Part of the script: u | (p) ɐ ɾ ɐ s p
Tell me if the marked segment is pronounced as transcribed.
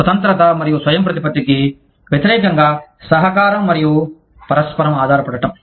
yes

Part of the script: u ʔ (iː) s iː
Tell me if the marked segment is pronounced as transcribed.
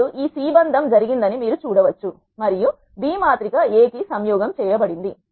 yes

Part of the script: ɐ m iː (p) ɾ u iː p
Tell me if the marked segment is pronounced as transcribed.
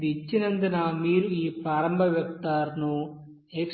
no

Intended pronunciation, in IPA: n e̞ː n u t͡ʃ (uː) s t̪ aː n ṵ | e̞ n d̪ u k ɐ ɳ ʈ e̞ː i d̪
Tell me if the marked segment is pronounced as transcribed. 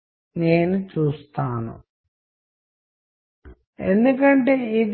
yes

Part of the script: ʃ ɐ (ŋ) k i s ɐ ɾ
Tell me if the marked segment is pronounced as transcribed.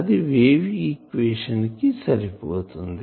no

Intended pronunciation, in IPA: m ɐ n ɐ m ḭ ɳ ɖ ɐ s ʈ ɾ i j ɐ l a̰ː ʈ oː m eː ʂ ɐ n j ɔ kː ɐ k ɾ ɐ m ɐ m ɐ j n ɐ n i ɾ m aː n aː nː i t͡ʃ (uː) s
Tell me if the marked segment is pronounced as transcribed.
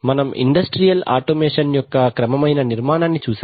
yes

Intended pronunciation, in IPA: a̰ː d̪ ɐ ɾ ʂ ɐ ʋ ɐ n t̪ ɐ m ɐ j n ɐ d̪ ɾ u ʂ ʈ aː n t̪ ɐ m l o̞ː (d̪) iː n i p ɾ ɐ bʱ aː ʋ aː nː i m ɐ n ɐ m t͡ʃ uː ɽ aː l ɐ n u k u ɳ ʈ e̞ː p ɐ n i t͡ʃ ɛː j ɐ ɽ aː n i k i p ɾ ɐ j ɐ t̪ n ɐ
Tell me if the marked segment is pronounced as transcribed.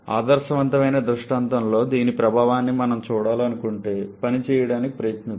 yes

